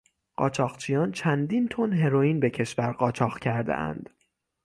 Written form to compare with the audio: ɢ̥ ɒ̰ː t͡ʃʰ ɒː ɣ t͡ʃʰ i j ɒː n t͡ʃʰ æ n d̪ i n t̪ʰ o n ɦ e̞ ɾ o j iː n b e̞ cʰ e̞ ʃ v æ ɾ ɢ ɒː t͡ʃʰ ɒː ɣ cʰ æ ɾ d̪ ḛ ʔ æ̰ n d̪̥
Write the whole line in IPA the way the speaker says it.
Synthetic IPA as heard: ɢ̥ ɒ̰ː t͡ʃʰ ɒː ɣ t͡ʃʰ i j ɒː n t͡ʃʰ æ n d̪ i n t̪ʰ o n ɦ e̞ ɾ o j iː n b e̞ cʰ e̞ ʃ v æ ɾ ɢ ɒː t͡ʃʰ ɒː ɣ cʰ æ ɾ d̪ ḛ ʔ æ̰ n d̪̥